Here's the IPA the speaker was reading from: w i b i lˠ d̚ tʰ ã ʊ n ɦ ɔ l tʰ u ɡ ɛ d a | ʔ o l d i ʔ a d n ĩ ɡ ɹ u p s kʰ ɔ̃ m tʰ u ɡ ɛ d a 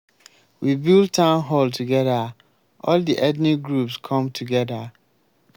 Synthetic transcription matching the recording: w i b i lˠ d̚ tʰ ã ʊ n ɦ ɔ l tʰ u ɡ ɛ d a | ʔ ɔ l d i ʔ ɛ d n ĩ ɡ ɹ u p s kʰ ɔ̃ m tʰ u ɡ ɛ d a